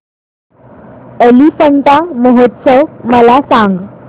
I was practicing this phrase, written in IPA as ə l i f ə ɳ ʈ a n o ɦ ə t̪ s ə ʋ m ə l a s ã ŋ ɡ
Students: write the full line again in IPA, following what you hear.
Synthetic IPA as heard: ə l i f ə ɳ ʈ a m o ɦ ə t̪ s ə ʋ m ə l a s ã ŋ ɡ